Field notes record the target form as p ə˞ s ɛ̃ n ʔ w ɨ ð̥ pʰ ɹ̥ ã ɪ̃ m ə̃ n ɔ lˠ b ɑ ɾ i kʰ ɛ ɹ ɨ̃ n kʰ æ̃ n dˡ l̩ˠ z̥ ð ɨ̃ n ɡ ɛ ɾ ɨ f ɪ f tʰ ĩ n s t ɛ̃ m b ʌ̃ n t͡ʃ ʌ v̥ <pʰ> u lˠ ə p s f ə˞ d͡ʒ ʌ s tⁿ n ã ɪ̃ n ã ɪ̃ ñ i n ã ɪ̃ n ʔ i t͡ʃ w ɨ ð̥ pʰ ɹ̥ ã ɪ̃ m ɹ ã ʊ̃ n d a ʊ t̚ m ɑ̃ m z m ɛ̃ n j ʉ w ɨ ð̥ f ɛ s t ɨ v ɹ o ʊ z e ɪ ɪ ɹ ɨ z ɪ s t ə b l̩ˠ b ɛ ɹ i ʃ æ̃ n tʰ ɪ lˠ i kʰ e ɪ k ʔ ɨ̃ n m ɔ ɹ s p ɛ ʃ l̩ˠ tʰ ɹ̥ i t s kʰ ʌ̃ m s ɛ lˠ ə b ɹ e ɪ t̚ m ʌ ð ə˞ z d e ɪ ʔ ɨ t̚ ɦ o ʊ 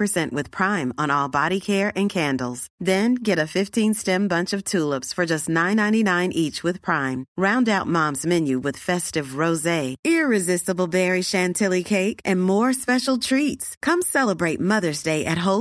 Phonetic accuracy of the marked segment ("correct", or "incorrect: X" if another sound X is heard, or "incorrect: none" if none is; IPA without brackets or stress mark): incorrect: tʰ